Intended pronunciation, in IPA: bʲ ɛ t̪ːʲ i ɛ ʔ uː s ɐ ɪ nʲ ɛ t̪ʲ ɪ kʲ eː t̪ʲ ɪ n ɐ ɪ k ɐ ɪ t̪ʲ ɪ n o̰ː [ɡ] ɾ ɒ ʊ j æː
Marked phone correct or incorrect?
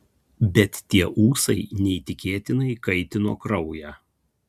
incorrect